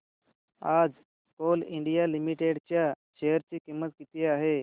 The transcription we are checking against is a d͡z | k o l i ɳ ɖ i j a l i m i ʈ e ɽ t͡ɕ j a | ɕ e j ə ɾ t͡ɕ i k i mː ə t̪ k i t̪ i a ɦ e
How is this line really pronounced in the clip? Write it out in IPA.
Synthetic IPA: a d͡z | k o l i ɳ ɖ i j a l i m i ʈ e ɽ t͡ɕ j a | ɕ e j ə ɾ t͡ɕ i k i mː ə t̪ k i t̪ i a ɦ e